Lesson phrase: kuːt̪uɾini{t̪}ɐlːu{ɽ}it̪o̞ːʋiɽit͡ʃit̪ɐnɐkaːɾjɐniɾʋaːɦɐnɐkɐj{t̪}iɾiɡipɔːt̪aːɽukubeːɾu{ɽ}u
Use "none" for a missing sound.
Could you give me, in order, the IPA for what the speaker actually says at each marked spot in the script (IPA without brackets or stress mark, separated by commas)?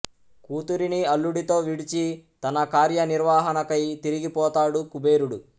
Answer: none, ɽ, t̪, ɽ